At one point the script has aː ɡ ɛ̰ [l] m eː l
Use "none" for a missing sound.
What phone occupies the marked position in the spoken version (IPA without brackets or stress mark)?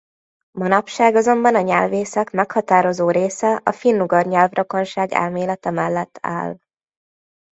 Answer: l